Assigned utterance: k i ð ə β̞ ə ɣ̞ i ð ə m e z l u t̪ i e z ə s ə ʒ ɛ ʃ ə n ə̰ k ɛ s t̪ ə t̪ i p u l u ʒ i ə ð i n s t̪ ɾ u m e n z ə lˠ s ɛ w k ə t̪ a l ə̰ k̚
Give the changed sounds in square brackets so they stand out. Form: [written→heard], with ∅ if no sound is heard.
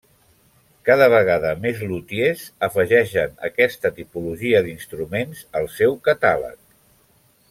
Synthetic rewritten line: k [i→a] ð ə β̞ ə ɣ̞ [i→a] ð ə m e z l u t̪ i e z ə [s→f] ə ʒ ɛ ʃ ə n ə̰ k ɛ s t̪ ə t̪ i p u l u ʒ i ə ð i n s t̪ ɾ u m e n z ə lˠ s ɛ w k ə t̪ a l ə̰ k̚